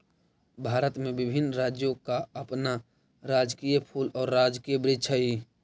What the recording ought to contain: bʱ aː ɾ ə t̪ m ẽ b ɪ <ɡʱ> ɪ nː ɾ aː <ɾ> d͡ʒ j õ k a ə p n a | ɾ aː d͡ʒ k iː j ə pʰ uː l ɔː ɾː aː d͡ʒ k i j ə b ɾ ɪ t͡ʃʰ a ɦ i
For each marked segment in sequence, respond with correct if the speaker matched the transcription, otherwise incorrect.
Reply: incorrect: bʱ, incorrect: none

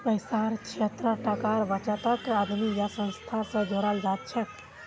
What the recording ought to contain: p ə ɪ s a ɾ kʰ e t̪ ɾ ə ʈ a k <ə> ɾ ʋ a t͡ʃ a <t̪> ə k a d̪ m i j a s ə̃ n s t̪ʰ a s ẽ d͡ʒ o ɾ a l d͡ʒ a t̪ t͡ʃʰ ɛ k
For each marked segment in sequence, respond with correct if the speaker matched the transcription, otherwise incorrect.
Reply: incorrect: a, correct

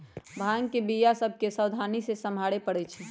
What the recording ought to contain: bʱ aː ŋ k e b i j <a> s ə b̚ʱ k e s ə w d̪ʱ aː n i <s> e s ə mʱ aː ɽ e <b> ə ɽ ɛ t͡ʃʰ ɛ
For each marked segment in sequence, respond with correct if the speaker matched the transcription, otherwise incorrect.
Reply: correct, correct, incorrect: p

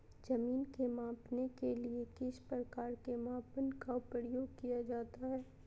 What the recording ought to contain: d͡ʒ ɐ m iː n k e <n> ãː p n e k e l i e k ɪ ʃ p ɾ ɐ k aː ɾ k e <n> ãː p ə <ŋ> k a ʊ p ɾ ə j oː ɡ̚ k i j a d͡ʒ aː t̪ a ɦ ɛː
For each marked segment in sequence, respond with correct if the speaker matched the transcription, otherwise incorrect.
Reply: incorrect: m, incorrect: m, incorrect: n

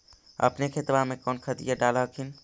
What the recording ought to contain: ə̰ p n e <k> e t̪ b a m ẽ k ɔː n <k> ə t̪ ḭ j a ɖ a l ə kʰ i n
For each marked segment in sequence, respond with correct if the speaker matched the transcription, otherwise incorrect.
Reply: incorrect: kʰ, incorrect: kʰ

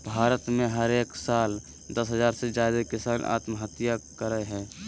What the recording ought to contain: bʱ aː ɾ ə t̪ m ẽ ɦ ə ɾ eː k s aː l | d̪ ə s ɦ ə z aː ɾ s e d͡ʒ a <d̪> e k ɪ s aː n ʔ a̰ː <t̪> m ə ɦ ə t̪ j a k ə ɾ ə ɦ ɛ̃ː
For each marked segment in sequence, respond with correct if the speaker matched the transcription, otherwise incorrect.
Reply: correct, correct

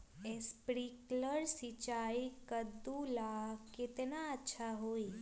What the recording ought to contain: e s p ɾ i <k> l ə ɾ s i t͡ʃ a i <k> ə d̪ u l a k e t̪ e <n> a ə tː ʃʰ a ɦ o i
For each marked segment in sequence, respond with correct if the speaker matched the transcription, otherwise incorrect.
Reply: correct, correct, correct

